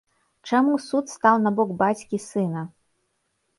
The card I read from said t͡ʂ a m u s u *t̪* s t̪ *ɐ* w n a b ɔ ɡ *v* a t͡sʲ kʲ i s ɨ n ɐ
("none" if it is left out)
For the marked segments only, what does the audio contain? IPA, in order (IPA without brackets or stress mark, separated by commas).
t̪, a, b